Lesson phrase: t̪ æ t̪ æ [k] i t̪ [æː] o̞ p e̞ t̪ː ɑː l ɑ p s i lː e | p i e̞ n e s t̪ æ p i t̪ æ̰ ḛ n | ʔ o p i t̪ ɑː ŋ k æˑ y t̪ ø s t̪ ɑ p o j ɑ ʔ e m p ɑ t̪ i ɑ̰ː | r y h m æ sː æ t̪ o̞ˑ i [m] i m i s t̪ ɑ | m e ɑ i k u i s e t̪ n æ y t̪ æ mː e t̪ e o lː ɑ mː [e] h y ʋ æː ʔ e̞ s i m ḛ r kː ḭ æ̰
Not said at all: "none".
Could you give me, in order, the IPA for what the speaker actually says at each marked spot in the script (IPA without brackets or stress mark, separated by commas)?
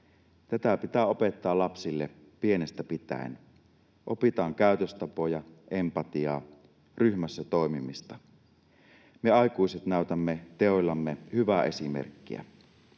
p, æː, m, e